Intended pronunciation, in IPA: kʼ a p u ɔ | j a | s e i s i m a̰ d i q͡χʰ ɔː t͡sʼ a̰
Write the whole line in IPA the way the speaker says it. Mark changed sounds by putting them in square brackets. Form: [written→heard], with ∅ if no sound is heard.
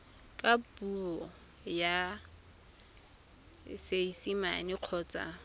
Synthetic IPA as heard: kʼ a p u ɔ | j a | s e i s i m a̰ [d→n] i q͡χʰ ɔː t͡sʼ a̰